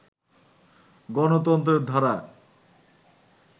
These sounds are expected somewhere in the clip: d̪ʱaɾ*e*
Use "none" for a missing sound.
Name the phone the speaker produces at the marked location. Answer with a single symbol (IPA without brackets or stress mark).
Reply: a